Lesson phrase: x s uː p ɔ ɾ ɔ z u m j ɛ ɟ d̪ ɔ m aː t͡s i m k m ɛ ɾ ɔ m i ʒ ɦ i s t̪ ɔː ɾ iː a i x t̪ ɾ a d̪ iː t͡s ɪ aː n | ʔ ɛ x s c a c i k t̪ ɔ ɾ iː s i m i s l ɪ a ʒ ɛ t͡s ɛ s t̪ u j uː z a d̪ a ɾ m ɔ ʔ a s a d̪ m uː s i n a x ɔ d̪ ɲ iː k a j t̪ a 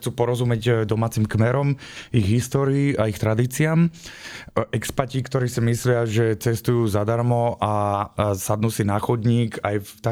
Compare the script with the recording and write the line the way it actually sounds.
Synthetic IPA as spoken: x t͡s uː p ɔ ɾ ɔ z u m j ɛ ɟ d̪ ɔ m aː t͡s i m k m ɛ ɾ ɔ m i ɣ ɦ i s t̪ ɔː ɾ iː a i x t̪ ɾ a d̪ iː t͡s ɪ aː m | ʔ ɛ k s p a c i k t̪ ɔ ɾ iː s i m i s l ɪ a ʒ ɛ t͡s ɛ s t̪ u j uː z a d̪ a ɾ m ɔ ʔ a s a d̪ n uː s i n a x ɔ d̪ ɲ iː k a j t̪ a